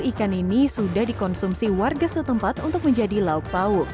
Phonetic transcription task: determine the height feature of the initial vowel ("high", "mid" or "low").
high